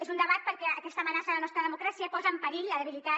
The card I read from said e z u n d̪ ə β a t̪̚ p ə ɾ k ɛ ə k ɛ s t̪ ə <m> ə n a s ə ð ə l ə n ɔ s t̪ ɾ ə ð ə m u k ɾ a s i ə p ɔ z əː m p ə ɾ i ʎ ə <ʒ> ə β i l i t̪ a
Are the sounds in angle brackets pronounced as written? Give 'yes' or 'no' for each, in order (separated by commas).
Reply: yes, no